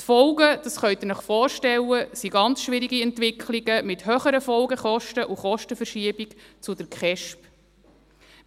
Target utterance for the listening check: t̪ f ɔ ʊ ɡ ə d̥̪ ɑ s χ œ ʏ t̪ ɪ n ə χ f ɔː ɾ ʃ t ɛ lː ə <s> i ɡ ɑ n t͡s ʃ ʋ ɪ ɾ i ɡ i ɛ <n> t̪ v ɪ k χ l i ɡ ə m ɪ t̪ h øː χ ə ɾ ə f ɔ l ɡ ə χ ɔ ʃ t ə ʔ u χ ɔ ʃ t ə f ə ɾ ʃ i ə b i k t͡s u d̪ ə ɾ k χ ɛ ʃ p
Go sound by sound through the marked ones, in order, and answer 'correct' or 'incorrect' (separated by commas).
correct, correct